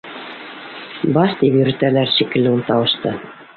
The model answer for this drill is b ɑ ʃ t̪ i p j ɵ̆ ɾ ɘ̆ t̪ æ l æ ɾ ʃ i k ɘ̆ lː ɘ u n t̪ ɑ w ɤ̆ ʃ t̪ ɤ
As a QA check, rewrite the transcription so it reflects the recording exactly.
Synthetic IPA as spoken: b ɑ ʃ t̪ i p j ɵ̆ ɾ ɘ̆ t̪ æ l æ ɾ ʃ i k ɘ̆ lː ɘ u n t̪ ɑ w ɤ̆ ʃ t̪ ɤ